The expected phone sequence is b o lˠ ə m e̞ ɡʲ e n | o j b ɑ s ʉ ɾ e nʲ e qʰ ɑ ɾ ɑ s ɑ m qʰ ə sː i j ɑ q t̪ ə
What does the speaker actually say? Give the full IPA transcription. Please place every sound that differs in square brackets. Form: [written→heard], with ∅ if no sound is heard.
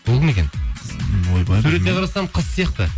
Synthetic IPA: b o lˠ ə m e̞ [ɡʲ→kʲ] e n | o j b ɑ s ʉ ɾ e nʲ e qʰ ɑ ɾ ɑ s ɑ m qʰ ə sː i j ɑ q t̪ ə